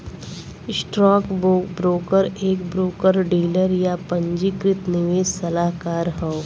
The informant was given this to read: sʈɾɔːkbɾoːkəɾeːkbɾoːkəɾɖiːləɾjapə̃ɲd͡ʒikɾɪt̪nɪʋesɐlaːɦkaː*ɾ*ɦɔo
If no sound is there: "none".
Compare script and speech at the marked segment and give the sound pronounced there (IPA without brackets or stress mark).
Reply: ɾ